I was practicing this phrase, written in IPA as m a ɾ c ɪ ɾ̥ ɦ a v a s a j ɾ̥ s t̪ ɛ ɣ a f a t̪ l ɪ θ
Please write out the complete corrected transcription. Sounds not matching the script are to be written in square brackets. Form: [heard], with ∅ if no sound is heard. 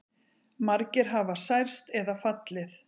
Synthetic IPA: m a ɾ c ɪ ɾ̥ ɦ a v a s a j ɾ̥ s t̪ ɛ [ð] a f a t̪ l ɪ θ